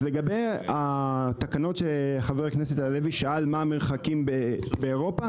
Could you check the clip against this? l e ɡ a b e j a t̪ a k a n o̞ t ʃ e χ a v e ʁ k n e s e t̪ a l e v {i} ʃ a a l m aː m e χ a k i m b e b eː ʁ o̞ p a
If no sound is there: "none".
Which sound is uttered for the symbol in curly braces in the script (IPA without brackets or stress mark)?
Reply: i